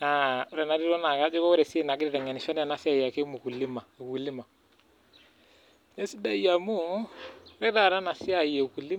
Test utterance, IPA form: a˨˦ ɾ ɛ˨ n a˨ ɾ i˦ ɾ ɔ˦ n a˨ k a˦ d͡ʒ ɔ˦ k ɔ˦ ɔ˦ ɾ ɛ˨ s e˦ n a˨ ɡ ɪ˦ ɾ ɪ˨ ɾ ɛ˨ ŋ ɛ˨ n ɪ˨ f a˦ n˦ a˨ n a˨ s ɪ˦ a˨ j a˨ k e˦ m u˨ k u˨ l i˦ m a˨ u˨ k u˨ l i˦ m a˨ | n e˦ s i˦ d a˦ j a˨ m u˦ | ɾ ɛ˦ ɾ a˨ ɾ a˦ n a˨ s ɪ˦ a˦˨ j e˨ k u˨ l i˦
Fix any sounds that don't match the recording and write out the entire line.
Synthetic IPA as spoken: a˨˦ ɾ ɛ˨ n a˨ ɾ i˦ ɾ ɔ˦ n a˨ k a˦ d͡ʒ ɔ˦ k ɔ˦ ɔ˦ ɾ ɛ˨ s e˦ n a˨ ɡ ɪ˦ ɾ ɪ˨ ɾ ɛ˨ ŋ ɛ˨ n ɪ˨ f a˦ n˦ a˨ n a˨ s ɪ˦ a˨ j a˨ k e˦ m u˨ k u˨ l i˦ m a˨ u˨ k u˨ l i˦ m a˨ | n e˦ s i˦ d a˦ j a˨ m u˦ | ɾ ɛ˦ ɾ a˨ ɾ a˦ n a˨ s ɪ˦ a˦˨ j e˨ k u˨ l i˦